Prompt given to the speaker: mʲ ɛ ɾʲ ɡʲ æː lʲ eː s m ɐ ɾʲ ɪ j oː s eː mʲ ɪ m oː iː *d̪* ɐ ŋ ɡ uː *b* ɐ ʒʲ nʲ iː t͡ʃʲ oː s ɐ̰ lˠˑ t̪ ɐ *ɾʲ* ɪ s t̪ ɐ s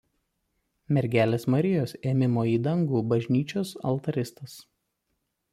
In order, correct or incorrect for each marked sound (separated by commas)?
correct, correct, correct